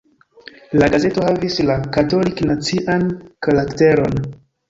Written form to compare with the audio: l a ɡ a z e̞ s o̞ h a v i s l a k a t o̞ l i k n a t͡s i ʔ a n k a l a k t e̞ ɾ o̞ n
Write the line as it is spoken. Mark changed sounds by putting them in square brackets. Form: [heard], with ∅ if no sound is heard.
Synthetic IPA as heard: l a ɡ a z e̞ [t] o̞ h a v i s l a k a t o̞ l i k n a t͡s i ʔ a n k a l a k t e̞ ɾ o̞ n